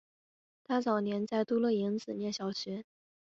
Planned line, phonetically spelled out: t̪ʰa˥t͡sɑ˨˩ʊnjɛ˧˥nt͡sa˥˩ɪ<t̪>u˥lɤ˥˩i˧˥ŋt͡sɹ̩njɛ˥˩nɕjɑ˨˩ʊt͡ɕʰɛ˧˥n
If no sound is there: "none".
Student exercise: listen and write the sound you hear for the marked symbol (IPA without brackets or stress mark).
t̪